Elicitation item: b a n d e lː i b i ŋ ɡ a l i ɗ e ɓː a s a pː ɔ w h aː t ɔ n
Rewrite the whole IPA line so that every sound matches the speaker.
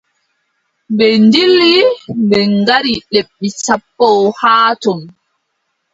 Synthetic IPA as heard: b ɛ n d i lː i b ɛ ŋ ɡ a ɾ i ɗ e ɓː i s a pː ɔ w h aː t ɔ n